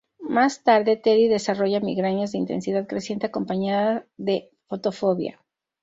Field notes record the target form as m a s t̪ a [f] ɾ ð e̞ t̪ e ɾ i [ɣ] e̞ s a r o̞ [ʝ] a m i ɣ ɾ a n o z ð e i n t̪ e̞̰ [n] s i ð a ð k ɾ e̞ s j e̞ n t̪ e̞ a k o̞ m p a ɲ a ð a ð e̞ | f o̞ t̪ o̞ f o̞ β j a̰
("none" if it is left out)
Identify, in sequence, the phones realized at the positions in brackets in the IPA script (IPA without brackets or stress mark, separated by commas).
none, ð, ʝ, n